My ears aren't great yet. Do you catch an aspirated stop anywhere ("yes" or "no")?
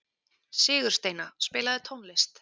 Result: yes